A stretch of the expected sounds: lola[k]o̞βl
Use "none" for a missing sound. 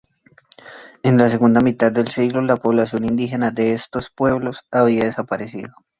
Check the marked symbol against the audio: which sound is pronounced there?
p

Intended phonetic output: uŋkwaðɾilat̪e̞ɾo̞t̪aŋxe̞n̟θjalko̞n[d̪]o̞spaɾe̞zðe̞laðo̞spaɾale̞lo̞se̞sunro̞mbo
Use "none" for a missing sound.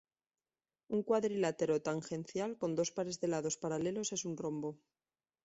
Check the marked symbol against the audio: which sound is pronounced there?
d̪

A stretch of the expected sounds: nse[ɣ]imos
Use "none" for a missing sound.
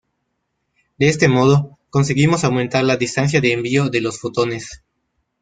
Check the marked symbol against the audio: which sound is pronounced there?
ɣ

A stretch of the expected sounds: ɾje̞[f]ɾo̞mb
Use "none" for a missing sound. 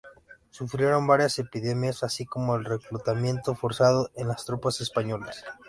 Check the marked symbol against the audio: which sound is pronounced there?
none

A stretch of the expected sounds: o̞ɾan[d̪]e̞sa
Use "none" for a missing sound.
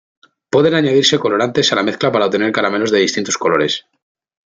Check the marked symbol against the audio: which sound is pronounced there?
t̪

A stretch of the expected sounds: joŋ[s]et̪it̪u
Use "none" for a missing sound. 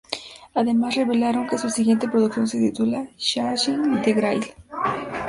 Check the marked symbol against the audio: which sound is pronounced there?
s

